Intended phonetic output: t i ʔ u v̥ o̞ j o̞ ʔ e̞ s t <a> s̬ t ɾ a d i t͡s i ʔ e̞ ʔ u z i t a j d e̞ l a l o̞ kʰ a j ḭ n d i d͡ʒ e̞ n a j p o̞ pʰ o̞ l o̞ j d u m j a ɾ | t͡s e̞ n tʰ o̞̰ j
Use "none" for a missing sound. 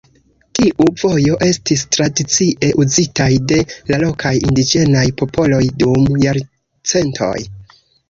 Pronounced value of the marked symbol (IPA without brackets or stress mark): i